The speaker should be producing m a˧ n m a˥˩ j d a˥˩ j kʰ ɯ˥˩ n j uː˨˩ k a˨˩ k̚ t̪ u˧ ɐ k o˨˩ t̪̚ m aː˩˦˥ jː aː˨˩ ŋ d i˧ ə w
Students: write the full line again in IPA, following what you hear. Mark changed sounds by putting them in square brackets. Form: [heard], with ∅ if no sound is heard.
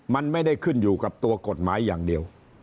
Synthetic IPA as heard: m a˧ n m a˥˩ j d a˥˩ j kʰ ɯ˥˩ n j uː˨˩ k a˨˩ [p̚] t̪ u˧ ɐ k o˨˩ t̪̚ m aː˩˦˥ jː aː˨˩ ŋ d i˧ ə w